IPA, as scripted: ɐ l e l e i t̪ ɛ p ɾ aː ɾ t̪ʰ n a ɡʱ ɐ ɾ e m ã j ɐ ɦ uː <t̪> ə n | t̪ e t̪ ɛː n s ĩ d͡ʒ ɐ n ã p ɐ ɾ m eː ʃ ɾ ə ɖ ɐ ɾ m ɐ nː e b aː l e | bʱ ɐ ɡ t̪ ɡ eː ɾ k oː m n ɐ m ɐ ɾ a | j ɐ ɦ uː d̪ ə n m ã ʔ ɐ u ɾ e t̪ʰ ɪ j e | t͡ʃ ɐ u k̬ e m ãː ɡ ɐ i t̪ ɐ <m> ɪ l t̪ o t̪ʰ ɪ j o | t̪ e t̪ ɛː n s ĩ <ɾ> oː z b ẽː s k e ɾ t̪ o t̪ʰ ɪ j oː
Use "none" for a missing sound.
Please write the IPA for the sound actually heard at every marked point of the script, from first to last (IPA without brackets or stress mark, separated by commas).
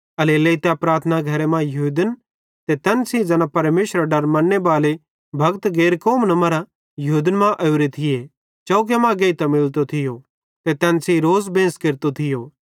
d̪, m, ɾ